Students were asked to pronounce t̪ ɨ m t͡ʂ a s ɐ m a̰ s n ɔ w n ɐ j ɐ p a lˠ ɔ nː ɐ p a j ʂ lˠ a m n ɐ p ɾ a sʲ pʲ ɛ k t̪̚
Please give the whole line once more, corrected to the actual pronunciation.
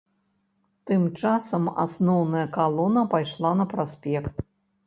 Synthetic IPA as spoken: t̪ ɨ m t͡ʂ a s ɐ m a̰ s n ɔ w n ɐ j ɐ k a lˠ ɔ n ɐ p a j ʂ lˠ a n ɐ p ɾ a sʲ pʲ ɛ k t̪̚